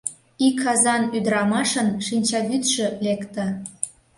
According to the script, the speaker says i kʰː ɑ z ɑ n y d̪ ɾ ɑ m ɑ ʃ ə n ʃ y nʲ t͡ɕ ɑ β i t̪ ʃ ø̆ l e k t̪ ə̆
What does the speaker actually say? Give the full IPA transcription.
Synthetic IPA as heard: i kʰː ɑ z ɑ n y d̪ ɾ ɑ m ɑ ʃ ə n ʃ i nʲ t͡ɕ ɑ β y t̪ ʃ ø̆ l e k t̪ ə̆